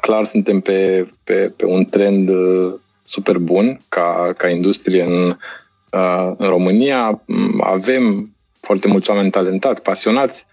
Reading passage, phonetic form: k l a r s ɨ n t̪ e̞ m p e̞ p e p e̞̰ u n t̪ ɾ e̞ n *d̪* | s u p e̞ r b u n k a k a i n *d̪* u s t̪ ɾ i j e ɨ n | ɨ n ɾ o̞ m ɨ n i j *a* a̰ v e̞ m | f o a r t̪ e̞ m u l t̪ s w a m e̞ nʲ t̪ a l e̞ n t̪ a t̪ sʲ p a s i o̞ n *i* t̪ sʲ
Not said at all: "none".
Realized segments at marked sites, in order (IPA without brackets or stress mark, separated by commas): d̪, d̪, a, a